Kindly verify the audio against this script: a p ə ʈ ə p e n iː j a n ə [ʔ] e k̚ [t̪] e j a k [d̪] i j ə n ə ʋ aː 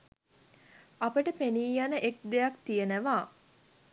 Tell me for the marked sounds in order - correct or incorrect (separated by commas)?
correct, incorrect, incorrect